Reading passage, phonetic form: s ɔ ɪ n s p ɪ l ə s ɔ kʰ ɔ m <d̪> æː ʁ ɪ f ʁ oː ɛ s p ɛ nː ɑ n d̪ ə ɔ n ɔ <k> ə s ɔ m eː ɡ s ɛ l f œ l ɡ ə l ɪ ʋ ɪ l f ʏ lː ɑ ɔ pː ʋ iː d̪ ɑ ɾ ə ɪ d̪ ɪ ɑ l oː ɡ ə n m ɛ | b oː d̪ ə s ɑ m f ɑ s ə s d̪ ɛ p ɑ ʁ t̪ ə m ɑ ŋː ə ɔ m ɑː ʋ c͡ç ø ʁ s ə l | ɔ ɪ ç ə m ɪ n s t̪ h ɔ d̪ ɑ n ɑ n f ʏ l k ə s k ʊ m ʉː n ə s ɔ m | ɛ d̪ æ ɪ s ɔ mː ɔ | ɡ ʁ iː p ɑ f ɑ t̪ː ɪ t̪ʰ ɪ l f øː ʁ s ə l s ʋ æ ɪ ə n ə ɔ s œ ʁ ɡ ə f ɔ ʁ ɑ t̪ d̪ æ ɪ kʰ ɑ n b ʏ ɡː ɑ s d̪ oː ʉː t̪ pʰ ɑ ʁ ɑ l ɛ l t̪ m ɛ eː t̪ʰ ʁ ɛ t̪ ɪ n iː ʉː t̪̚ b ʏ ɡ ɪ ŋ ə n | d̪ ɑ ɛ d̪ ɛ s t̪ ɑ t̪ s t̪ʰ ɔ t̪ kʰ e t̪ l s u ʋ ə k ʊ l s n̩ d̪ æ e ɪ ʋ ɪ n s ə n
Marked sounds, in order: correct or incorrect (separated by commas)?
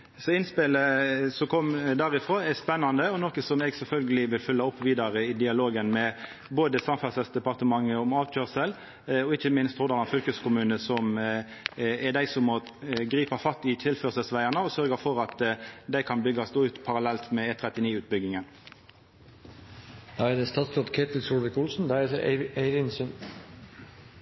correct, correct